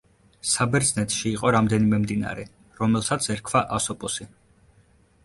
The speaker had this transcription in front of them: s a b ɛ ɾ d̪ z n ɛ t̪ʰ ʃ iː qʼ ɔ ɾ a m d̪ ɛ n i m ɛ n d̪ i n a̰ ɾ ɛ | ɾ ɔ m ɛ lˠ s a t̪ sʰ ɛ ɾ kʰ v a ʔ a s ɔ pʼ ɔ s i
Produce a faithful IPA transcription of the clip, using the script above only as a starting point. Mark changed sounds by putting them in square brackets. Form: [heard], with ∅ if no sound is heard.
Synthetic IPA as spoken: s a b ɛ ɾ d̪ z n ɛ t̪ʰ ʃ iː qʼ ɔ ɾ a m d̪ ɛ n i m ɛ [m] d̪ i n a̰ ɾ ɛ | ɾ ɔ m ɛ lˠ s a t̪ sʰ ɛ ɾ kʰ v a ʔ a s ɔ pʼ ɔ s i